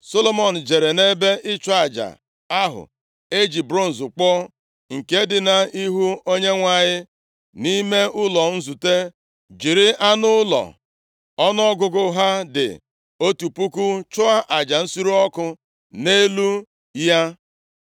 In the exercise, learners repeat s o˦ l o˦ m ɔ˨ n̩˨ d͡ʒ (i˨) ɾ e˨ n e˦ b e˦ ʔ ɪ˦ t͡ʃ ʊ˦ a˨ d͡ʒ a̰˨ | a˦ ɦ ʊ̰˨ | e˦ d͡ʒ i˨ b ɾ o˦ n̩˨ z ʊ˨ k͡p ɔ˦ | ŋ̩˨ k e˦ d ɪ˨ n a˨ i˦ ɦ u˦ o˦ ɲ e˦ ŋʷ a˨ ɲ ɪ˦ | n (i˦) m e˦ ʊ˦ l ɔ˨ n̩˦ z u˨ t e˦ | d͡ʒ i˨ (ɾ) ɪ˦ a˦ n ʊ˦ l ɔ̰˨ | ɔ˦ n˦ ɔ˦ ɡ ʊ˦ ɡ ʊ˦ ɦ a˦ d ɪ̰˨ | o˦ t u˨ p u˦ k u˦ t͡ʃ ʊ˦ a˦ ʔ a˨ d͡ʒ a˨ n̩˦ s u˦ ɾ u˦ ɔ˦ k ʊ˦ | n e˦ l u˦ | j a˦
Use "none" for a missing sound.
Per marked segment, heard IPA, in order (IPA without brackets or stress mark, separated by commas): e˨, i˦, ɾ